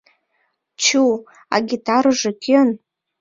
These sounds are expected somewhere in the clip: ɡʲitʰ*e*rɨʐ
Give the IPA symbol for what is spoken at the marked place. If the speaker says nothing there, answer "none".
a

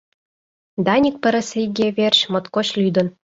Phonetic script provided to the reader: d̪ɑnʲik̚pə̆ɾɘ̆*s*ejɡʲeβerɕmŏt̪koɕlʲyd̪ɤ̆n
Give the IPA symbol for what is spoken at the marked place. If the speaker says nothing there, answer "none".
s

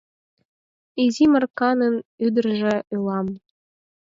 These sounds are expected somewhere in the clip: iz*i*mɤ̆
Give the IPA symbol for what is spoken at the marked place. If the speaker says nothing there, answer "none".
i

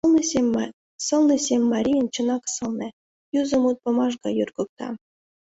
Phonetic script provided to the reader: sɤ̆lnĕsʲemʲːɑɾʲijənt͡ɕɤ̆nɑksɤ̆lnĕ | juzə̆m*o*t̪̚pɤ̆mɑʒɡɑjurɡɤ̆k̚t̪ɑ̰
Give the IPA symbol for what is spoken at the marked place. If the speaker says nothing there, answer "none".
u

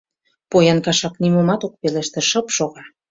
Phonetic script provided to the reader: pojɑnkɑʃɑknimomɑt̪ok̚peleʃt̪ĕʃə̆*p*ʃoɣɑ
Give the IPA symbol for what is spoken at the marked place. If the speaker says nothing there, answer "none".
p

